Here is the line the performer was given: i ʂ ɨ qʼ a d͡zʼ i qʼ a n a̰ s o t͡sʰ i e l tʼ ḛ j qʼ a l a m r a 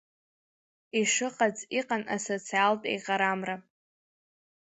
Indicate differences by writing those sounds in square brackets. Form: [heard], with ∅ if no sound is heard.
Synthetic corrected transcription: i ʂ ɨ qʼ a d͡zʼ i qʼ a n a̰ s o t͡sʰ i [a] l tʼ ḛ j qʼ a [ɾ] a m r a